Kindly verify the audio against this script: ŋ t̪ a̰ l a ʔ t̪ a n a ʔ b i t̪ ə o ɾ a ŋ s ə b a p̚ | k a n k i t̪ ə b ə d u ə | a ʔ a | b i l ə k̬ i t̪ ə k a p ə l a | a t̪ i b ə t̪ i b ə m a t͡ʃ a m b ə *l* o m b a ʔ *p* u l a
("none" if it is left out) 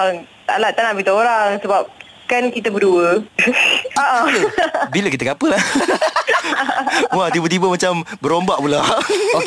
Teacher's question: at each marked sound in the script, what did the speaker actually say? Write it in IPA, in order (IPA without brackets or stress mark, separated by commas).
ɾ, p